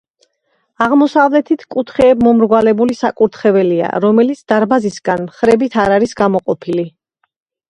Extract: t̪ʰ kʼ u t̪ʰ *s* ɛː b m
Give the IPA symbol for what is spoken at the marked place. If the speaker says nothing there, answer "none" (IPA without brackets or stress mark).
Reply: χ